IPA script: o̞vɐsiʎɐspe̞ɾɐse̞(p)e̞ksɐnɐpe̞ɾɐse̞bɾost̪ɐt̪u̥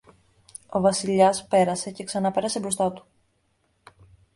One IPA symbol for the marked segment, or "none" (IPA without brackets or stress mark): c